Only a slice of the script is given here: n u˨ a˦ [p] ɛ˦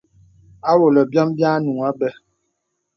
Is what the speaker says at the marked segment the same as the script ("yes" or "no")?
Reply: no